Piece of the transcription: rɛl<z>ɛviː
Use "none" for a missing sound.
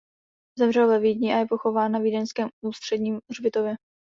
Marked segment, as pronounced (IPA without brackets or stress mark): v